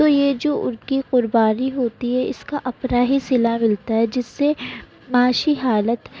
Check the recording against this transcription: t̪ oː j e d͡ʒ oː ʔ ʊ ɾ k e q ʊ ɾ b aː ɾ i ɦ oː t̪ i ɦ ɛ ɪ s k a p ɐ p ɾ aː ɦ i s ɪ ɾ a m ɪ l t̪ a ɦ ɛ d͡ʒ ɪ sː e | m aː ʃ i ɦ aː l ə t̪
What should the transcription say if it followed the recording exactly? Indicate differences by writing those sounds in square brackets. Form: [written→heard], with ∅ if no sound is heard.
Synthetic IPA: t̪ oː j e d͡ʒ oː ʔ ʊ ɾ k [e→i] q ʊ ɾ b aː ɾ i ɦ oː t̪ i ɦ ɛ ɪ s k a [p→ʔ] ɐ p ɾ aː ɦ i s ɪ [ɾ→l] a m ɪ l t̪ a ɦ ɛ d͡ʒ ɪ sː e | m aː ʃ i ɦ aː l ə t̪